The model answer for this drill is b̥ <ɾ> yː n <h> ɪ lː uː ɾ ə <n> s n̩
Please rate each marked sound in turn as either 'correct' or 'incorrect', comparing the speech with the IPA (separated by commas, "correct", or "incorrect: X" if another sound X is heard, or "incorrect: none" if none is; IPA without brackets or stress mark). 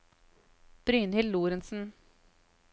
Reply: correct, correct, correct